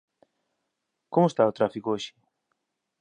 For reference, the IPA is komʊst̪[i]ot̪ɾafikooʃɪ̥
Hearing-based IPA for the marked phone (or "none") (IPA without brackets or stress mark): a